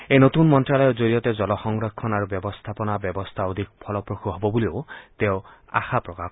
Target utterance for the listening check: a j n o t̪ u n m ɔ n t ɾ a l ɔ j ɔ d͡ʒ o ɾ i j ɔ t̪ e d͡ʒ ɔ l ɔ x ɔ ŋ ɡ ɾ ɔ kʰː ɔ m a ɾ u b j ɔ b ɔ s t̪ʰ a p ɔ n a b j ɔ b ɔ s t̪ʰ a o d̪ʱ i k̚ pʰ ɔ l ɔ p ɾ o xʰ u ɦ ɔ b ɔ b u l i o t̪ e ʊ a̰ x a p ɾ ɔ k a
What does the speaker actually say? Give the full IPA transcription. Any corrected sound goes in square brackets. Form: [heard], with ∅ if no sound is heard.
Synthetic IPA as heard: [e] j n o t̪ u n m ɔ n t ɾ a l ɔ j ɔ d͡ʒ o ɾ i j ɔ t̪ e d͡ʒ ɔ l ɔ x ɔ ŋ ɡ ɾ ɔ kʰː ɔ [n] a ɾ u b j ɔ b ɔ s t̪ʰ a p ɔ n a b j ɔ b ɔ s t̪ʰ a o d̪ʱ i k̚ pʰ ɔ l ɔ p ɾ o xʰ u ɦ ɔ b ɔ b u l i o t̪ e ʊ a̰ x a p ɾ ɔ k a